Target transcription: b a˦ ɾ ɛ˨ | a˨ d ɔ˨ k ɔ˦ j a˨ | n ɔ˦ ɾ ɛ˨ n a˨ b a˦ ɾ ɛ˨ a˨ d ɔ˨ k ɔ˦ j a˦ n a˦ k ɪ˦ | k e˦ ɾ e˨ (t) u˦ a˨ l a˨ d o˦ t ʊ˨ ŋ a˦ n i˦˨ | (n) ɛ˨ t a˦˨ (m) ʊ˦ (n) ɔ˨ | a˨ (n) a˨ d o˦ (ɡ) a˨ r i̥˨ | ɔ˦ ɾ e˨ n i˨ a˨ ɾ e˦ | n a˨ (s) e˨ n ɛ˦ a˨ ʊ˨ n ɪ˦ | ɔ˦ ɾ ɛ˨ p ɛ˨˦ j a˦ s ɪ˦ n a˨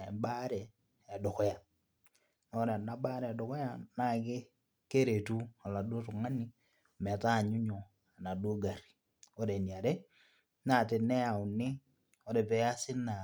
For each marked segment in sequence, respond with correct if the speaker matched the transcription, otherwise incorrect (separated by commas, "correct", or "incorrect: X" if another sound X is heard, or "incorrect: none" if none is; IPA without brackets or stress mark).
correct, incorrect: m, incorrect: ɲ, incorrect: ɲ, correct, correct, incorrect: t